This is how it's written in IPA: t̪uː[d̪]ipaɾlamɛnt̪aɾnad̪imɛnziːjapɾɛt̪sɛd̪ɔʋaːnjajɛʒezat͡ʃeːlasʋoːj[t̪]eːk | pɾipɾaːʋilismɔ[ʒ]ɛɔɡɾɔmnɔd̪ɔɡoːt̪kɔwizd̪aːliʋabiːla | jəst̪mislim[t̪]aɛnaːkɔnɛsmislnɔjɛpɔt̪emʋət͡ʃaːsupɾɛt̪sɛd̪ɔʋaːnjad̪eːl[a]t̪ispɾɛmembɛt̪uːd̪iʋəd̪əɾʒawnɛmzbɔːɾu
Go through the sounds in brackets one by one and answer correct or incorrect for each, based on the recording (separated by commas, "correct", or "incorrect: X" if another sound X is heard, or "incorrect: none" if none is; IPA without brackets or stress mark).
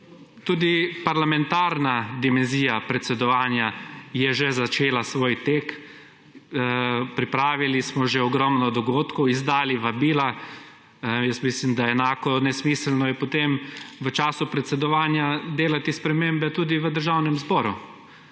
correct, correct, correct, incorrect: d̪, correct